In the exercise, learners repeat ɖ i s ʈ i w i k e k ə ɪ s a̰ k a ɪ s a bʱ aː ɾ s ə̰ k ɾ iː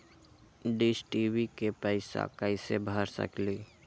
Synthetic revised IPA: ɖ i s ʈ i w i k e p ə ɪ s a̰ k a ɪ s e bʱ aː ɾ s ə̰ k l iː